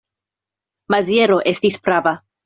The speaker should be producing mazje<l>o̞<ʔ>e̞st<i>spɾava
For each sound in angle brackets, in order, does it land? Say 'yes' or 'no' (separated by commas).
no, yes, yes